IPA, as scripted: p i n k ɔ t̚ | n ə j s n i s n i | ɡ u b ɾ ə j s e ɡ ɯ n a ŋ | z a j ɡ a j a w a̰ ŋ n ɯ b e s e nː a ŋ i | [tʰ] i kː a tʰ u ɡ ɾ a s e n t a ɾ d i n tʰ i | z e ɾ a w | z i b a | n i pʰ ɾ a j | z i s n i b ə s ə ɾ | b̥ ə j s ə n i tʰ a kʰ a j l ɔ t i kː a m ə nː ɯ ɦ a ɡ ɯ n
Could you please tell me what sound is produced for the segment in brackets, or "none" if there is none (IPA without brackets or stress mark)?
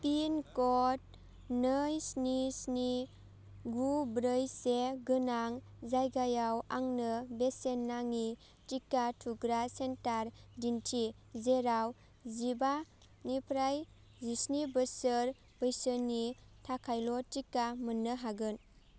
t